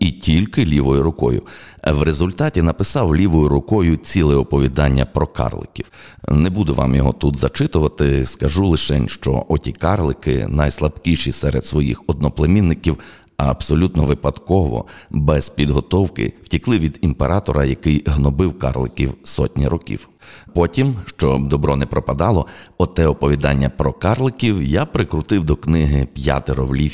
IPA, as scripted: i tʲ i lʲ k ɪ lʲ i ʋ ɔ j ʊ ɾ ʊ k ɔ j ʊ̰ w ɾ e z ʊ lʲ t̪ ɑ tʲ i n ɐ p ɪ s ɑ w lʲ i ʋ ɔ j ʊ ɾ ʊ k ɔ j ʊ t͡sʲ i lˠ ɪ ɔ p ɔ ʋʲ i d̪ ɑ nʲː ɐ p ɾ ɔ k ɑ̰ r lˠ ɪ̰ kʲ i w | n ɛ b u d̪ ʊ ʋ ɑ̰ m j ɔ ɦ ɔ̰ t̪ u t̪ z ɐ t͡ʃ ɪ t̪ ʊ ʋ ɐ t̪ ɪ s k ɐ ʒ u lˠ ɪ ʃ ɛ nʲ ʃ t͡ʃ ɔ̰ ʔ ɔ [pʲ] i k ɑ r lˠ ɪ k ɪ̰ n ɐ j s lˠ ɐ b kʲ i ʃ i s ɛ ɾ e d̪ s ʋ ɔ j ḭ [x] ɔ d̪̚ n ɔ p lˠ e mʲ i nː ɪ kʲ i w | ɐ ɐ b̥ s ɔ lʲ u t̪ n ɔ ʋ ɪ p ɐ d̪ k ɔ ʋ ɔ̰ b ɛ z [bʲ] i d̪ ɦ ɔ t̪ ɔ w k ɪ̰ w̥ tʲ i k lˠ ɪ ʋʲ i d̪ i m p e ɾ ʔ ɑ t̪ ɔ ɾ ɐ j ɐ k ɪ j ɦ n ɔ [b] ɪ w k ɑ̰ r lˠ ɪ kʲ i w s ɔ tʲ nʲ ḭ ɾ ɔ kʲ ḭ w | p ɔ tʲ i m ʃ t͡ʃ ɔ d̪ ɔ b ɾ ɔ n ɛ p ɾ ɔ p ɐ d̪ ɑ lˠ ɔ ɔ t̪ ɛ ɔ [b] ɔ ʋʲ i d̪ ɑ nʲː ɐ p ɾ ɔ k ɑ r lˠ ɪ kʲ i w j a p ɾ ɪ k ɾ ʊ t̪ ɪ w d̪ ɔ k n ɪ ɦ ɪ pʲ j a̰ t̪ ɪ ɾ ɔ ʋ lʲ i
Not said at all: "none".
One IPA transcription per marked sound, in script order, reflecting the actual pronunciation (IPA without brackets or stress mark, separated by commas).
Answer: tʲ, x, pʲ, b, p